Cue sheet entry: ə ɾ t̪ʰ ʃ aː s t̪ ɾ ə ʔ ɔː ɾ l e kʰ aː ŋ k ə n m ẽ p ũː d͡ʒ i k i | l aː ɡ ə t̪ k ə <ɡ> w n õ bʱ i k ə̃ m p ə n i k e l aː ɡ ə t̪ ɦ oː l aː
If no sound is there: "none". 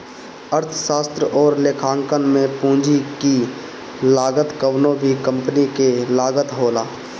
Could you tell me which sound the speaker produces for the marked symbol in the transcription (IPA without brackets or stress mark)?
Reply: none